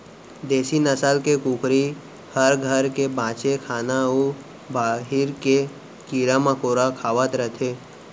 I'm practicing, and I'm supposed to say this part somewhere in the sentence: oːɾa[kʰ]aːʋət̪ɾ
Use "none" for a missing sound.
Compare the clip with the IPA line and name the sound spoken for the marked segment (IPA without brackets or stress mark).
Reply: kʰ